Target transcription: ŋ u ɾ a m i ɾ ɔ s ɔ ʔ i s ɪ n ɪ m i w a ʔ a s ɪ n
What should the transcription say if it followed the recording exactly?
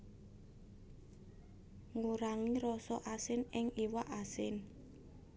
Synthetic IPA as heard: ŋ u ɾ a ŋ i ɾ ɔ s ɔ ʔ a s ɪ n ɪ ŋ i w a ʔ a s ɪ n